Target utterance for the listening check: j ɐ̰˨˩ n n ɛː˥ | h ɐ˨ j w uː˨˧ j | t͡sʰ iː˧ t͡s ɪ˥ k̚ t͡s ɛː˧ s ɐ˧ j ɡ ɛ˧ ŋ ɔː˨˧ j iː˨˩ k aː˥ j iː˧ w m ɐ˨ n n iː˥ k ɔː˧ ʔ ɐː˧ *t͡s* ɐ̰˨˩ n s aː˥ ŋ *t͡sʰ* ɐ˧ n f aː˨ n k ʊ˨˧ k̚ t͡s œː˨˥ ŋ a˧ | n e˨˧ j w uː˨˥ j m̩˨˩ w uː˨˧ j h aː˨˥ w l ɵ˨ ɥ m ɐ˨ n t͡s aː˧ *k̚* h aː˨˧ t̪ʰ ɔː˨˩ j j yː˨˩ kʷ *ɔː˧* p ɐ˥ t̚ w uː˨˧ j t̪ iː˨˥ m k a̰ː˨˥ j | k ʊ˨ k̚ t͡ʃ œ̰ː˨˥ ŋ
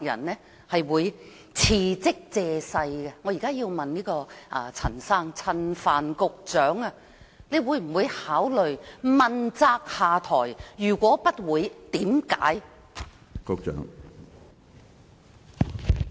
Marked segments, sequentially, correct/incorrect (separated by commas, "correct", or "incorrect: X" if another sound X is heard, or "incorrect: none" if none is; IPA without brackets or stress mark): incorrect: t͡sʰ, correct, correct, incorrect: ɔː˨˥